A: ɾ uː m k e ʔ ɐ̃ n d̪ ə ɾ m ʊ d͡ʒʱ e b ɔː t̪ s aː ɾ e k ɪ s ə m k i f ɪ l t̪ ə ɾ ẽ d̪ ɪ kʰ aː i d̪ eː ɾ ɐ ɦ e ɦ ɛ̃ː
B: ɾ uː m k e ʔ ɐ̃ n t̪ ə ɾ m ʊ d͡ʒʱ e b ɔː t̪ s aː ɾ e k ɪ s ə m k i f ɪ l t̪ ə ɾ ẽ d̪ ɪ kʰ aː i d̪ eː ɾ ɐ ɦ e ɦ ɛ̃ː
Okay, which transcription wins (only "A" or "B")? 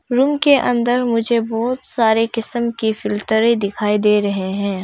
A